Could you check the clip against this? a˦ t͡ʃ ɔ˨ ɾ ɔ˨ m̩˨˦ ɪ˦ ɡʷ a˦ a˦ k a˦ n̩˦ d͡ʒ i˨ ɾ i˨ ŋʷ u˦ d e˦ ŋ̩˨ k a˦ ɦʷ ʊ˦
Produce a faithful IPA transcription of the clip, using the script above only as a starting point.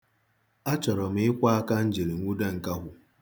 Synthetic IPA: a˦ t͡ʃ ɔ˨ ɾ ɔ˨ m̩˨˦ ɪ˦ kʷ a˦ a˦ k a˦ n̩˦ d͡ʒ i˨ ɾ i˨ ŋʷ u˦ d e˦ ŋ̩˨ k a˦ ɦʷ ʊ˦